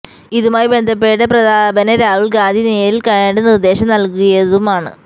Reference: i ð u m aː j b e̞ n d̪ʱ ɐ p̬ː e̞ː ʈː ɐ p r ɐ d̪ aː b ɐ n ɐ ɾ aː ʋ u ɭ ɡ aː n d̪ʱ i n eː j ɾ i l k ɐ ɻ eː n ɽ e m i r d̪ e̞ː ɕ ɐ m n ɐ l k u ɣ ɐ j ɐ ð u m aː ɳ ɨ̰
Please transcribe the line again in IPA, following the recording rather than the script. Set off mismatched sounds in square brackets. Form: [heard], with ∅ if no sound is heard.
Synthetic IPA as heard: i ð u m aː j b e̞ n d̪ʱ ɐ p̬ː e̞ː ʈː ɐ p r ɐ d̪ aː b ɐ n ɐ ɾ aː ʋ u ɭ ɡ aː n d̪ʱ i n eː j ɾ i l k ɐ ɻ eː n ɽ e [n] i r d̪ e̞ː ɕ ɐ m n ɐ l k u ɣ ɐ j ɐ ð u m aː ɳ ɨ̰